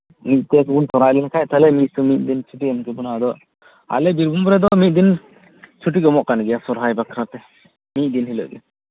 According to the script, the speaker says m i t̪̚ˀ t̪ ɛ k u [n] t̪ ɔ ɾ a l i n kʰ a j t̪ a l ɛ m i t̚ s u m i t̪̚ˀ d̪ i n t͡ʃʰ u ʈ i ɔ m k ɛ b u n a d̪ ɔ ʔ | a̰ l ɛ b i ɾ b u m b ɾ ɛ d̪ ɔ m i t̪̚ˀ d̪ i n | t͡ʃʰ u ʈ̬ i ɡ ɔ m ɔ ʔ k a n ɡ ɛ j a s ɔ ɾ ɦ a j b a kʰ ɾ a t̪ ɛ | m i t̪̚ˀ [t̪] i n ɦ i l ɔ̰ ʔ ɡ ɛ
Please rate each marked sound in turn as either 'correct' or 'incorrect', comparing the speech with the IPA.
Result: correct, incorrect: d̪

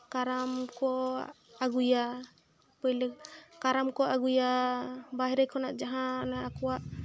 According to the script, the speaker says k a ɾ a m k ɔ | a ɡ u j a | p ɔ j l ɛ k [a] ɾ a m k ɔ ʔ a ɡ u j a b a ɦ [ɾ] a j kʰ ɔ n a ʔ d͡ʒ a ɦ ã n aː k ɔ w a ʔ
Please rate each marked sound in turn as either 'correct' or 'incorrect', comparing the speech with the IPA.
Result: correct, correct

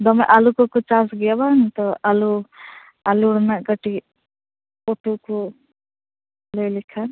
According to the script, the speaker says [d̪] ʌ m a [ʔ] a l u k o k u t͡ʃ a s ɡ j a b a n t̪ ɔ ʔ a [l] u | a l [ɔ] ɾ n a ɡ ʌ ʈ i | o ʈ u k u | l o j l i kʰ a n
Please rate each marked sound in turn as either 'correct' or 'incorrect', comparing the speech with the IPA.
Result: correct, correct, correct, incorrect: u

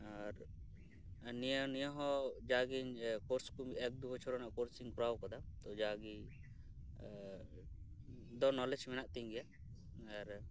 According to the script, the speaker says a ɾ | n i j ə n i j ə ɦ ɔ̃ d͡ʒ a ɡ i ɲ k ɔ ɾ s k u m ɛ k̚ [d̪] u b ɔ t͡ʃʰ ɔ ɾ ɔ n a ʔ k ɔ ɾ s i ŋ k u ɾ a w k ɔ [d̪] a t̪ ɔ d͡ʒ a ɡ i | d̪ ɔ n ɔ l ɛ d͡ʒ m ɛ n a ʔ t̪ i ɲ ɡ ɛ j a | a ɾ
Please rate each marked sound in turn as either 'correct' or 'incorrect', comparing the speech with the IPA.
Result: correct, correct

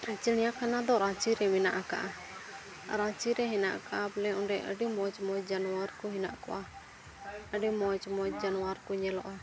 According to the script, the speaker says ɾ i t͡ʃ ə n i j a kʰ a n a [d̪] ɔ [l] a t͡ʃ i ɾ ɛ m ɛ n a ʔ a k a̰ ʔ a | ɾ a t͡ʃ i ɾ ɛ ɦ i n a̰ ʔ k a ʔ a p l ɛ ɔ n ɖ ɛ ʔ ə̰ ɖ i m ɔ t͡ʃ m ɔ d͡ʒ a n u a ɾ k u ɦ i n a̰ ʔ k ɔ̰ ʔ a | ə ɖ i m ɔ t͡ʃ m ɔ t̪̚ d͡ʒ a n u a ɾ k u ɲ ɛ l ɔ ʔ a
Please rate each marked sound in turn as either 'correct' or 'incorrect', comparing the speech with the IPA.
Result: correct, incorrect: ɾ

